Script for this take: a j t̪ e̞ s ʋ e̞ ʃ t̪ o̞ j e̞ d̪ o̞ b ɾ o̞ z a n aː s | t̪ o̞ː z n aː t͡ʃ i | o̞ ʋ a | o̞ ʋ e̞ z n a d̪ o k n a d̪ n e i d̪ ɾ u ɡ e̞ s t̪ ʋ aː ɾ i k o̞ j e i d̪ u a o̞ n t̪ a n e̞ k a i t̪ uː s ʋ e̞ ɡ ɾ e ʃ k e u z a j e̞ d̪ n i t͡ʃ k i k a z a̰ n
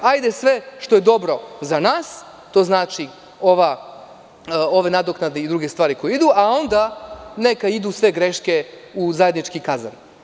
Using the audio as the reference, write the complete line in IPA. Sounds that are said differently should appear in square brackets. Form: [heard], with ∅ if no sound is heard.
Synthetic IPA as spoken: a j [d̪] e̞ s ʋ e̞ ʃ t̪ o̞ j e̞ d̪ o̞ b ɾ o̞ z a n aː s | t̪ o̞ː z n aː t͡ʃ i | o̞ ʋ a | o̞ ʋ e̞ [∅] n a d̪ o k n a d̪ n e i d̪ ɾ u ɡ e̞ s t̪ ʋ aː ɾ i k o̞ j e i d̪ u a o̞ n [d̪] a n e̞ k a i [d̪] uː s ʋ e̞ ɡ ɾ e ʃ k e u z a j e̞ d̪ n i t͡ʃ k i k a z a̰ n